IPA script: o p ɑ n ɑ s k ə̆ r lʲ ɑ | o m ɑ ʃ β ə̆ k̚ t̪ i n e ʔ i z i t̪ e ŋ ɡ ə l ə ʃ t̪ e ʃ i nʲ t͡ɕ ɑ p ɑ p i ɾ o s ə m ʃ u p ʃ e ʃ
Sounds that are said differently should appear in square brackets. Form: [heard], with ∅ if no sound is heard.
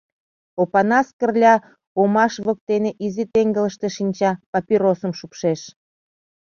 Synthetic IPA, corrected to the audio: o p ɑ n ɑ s k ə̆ r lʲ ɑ | o m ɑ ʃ β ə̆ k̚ t̪ [e] n e ʔ i z i t̪ e ŋ ɡ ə l ə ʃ t̪ e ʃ i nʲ t͡ɕ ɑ p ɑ p i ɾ o s ə m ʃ u p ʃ e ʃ